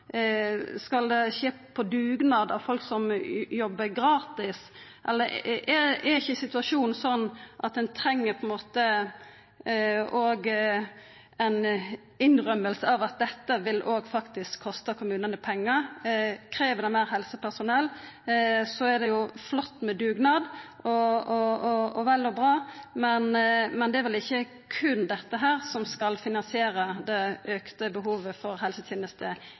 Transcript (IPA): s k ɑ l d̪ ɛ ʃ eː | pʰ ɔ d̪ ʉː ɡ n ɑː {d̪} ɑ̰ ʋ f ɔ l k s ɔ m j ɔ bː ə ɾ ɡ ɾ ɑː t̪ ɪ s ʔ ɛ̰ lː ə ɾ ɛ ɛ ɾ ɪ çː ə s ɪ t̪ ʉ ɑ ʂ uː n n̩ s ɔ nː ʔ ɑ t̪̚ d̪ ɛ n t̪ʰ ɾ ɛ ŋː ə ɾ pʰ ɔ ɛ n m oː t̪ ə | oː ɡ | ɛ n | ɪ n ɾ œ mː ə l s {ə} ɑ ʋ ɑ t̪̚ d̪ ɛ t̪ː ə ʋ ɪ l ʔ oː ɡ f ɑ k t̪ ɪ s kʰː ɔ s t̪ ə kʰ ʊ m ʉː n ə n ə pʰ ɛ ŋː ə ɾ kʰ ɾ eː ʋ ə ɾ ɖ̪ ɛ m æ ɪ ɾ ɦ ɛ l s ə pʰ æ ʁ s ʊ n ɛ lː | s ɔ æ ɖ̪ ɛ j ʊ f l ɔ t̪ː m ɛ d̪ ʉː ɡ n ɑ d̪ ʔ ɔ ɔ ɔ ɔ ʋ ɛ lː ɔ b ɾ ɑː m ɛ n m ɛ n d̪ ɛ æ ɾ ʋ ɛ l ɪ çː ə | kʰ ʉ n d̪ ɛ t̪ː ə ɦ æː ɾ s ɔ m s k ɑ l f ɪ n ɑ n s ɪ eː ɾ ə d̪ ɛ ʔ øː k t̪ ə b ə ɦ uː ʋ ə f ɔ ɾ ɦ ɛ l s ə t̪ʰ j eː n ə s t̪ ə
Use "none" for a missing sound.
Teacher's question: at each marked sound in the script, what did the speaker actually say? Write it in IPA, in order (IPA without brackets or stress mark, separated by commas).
d̪, ə